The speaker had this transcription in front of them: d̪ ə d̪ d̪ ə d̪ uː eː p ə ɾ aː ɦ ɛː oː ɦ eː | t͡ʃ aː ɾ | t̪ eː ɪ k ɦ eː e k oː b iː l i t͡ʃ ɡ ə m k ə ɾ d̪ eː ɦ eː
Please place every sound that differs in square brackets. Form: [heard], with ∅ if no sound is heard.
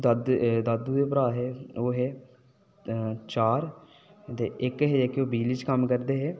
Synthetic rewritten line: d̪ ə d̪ d̪ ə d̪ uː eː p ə ɾ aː ɦ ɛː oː ɦ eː | t͡ʃ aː ɾ | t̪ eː ɪ k ɦ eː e k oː b iː l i t͡ʃ [k] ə m k ə ɾ d̪ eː ɦ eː